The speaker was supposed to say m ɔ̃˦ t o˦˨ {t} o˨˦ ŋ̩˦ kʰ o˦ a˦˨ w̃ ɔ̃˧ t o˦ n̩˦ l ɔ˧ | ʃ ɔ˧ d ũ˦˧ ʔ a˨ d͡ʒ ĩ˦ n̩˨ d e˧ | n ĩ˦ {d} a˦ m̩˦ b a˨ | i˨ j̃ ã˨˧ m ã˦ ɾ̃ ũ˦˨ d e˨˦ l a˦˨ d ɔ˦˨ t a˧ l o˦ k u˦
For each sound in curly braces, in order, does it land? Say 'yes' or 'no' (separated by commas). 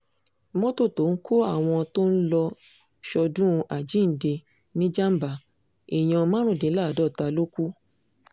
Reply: yes, no